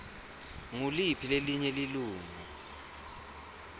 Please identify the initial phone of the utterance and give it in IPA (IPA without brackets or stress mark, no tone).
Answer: ŋ